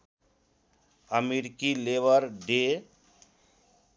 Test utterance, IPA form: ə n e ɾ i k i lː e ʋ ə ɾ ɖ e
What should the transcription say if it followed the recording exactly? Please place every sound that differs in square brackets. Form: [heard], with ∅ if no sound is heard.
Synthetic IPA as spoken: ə [m] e ɾ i k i [l] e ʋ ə ɾ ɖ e

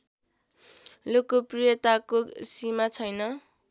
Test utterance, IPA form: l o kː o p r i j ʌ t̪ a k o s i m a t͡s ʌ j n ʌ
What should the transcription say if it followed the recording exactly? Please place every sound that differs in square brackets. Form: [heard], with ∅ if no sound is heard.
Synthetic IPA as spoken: l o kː o p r i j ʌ t̪ a k o s i m a [t͡sʰ] ʌ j n ʌ

